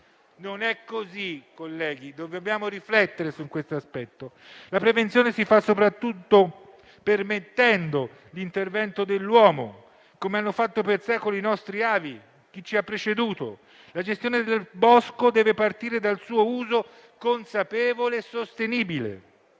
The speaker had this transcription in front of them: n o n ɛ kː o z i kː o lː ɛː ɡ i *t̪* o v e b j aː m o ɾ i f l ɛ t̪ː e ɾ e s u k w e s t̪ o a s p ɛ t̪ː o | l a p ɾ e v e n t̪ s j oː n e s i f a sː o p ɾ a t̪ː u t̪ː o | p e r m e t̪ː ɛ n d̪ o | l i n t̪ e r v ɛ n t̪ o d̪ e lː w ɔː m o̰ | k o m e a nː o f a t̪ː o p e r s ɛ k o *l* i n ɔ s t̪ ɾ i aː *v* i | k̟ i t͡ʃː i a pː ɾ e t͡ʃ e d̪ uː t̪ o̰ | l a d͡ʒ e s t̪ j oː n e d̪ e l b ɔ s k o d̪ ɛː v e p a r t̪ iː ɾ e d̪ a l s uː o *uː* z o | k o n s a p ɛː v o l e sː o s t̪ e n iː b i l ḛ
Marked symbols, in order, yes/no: no, yes, yes, yes

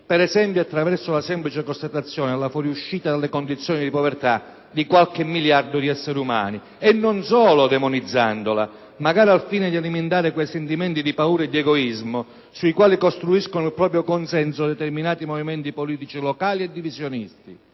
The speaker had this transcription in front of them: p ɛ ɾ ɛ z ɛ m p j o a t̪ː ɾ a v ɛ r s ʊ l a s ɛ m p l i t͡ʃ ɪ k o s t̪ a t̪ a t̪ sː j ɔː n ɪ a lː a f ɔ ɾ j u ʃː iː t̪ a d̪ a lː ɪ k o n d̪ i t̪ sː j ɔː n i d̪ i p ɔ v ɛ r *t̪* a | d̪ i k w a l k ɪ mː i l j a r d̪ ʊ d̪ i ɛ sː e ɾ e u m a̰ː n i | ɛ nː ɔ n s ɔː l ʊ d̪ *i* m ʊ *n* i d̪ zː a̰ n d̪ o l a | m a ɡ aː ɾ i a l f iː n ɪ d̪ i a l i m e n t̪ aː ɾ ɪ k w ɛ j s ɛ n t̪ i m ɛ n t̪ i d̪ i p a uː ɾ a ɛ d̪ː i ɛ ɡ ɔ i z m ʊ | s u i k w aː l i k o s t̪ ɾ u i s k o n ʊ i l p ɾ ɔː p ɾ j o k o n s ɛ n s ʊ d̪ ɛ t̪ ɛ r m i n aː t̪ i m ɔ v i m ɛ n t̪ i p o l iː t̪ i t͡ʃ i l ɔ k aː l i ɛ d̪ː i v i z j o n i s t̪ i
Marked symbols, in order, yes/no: yes, no, yes

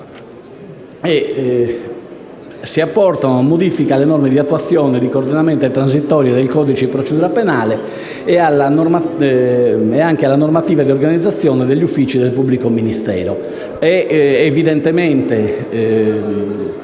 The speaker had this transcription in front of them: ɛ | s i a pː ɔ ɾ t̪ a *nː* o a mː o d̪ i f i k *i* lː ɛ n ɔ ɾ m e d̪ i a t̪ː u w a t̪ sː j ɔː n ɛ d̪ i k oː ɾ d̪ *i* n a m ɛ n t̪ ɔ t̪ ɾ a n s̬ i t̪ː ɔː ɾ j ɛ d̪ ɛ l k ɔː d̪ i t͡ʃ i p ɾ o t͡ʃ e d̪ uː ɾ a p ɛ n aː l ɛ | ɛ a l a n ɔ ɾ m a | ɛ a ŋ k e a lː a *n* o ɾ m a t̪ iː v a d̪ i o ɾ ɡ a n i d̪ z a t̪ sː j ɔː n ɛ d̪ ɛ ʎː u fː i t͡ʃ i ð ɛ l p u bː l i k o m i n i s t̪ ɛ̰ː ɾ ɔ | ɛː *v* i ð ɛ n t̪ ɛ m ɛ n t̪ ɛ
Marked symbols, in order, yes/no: no, no, yes, yes, yes

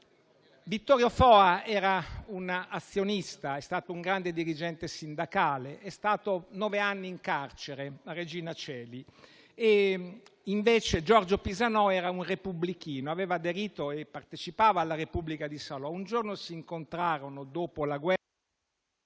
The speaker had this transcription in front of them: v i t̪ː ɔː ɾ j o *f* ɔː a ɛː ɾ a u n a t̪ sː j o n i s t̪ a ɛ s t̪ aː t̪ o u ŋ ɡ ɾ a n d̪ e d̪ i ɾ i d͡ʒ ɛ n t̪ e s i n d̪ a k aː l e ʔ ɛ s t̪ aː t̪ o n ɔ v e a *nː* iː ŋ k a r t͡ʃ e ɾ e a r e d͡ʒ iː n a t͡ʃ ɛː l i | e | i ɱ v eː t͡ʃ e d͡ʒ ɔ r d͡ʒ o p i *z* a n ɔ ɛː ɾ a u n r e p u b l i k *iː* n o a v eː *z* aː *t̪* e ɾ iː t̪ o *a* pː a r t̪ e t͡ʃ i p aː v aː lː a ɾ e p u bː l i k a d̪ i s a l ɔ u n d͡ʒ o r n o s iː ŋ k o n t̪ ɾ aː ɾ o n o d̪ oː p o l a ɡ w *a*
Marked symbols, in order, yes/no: yes, yes, yes, yes, no, no, no, no

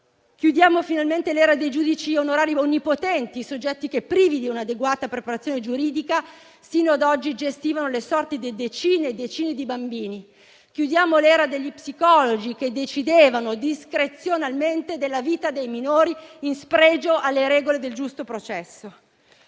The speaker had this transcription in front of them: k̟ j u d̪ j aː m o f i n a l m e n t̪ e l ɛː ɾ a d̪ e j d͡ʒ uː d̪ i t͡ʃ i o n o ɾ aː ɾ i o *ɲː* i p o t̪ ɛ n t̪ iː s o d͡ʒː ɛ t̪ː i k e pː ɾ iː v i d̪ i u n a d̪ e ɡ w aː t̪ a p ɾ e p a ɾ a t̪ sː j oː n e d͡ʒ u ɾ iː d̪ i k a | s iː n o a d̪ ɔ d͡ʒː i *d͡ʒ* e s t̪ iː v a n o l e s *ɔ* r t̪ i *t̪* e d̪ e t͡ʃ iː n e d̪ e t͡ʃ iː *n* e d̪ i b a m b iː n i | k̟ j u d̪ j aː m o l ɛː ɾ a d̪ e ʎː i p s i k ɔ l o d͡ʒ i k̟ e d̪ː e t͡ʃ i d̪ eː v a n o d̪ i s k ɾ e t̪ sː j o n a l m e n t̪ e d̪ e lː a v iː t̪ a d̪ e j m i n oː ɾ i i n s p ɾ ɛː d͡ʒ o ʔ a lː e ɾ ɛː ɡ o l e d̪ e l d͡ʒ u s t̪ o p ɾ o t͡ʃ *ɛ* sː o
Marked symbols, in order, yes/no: no, yes, yes, no, yes, yes

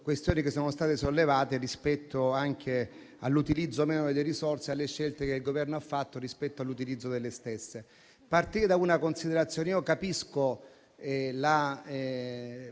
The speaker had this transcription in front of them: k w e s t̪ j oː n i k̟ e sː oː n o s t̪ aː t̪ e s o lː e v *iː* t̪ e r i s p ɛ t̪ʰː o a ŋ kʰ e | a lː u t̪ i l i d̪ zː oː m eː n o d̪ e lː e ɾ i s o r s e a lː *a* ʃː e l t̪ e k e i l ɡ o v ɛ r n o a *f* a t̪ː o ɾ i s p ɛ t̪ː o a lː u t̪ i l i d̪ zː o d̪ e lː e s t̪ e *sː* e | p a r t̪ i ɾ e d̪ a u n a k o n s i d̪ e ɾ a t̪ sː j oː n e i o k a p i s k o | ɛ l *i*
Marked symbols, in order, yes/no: no, no, no, yes, no

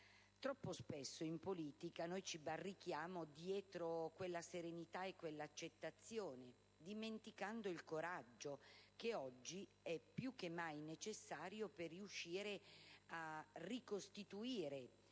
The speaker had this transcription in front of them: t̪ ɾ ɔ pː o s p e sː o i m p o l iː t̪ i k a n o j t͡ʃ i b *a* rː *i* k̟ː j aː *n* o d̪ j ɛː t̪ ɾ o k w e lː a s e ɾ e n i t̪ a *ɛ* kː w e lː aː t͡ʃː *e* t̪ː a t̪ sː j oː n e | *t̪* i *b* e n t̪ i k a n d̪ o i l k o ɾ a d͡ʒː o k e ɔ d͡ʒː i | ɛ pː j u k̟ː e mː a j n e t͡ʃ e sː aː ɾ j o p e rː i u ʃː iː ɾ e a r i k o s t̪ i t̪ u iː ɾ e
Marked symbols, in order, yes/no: yes, yes, no, no, yes, no, no

